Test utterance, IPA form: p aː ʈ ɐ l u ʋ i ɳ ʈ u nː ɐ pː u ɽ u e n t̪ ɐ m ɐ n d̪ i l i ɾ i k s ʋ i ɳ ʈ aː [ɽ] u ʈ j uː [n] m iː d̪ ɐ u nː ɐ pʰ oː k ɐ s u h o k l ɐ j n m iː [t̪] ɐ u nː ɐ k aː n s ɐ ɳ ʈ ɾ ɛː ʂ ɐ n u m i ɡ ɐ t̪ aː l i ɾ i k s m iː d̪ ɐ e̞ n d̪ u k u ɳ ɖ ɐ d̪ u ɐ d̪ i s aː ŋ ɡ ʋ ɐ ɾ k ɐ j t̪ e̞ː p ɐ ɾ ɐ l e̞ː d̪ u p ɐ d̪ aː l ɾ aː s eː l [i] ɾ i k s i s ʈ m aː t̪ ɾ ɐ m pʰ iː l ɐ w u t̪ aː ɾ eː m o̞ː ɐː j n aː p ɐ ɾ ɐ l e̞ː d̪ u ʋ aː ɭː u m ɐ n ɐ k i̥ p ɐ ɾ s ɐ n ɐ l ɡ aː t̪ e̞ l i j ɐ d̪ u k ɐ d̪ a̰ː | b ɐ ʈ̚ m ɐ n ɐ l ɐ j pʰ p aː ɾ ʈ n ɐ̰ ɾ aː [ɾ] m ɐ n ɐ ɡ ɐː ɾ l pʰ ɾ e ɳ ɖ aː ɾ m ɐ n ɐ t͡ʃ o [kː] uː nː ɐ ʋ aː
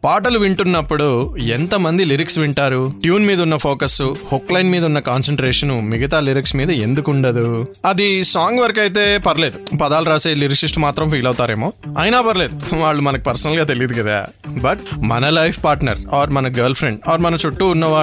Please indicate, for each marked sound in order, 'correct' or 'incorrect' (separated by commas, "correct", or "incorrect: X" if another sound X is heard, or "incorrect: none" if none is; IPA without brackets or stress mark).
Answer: incorrect: ɾ, correct, incorrect: d̪, correct, correct, incorrect: ʈː